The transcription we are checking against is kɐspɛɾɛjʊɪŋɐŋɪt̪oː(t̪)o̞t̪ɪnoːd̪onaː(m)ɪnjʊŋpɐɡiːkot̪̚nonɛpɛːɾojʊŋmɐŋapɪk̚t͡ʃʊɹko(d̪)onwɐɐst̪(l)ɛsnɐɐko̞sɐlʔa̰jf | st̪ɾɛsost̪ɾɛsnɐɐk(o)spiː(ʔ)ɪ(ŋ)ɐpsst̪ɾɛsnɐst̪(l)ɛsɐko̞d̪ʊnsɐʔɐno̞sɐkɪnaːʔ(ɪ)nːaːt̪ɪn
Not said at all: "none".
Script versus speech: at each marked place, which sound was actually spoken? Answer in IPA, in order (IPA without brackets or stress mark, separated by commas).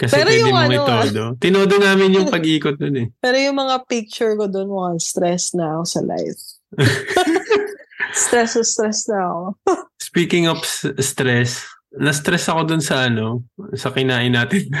d̪, m, d̪, ɾ, o, k, ŋ, ɾ, ɪ